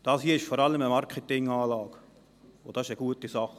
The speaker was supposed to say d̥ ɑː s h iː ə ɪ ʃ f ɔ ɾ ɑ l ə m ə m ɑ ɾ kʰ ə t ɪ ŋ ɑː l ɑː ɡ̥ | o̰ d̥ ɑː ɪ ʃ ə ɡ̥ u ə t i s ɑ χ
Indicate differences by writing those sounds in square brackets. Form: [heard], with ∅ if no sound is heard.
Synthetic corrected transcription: d̥ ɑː s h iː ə ɪ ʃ f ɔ ɾ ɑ l ə m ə m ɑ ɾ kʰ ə t ɪ ŋ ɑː l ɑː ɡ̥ | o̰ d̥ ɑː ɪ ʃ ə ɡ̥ u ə t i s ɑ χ